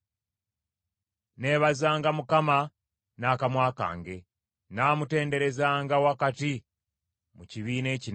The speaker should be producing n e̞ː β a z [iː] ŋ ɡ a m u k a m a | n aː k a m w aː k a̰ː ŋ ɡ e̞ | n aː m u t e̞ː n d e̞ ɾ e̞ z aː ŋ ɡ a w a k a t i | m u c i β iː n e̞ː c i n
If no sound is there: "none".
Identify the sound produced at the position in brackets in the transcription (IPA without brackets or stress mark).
aː